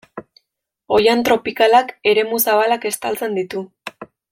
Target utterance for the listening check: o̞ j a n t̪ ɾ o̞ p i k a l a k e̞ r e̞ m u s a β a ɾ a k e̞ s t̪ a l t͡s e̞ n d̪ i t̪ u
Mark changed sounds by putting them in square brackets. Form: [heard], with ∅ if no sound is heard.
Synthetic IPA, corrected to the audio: o̞ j a n t̪ ɾ o̞ p i k a l a k e̞ [ɾ] e̞ m u s a β a [l] a k e̞ s t̪ a l t͡s e̞ n d̪ i t̪ u